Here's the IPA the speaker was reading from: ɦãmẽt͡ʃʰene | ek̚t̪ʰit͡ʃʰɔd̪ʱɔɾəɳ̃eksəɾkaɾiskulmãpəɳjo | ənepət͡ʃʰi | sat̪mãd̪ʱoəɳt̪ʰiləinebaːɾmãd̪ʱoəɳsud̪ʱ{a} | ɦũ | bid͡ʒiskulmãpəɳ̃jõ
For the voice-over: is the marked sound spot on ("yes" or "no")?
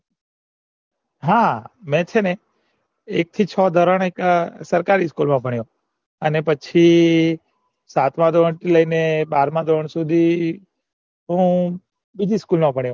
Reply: no